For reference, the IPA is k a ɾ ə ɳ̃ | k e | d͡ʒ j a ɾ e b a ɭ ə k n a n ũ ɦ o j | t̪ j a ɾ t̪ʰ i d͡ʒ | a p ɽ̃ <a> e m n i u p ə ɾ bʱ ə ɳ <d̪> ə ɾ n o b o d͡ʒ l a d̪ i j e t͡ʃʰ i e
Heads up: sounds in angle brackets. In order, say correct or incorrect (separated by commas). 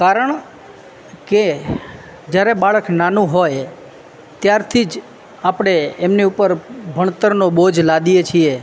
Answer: incorrect, incorrect